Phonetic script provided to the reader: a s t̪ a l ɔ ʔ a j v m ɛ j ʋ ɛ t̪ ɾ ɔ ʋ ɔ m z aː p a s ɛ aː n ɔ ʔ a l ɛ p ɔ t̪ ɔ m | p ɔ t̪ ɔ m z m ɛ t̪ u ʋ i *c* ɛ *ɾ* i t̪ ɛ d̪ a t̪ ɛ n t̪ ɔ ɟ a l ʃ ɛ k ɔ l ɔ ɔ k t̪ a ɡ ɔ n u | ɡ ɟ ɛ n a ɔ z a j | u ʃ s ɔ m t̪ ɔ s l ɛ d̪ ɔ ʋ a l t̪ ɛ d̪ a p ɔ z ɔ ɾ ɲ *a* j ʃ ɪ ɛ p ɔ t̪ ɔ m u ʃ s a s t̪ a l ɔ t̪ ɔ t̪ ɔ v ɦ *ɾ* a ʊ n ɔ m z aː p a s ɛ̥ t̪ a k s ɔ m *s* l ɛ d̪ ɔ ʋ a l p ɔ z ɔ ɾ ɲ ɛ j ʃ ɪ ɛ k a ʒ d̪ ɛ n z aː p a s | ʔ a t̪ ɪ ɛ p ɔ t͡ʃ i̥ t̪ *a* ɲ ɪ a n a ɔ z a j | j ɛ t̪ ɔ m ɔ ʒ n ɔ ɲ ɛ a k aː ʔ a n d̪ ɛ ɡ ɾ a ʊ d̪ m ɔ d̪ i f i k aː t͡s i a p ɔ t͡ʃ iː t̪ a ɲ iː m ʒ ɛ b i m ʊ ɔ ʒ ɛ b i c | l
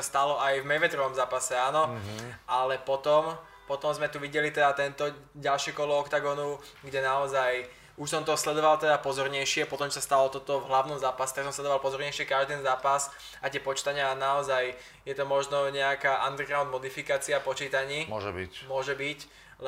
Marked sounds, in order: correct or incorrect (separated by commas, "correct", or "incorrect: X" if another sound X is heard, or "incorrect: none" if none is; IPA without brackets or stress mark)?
incorrect: ɟ, incorrect: l, incorrect: ɛ, incorrect: l, correct, correct